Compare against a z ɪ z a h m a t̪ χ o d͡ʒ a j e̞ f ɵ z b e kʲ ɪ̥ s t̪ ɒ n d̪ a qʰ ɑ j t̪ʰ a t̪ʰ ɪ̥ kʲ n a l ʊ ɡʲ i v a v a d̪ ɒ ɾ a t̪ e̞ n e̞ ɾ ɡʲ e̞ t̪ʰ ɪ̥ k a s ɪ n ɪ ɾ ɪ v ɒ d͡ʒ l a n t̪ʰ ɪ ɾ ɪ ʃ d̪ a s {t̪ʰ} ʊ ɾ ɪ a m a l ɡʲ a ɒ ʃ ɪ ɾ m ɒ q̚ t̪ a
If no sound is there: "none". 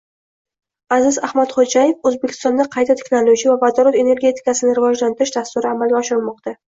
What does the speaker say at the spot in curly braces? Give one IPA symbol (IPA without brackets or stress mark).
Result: t̪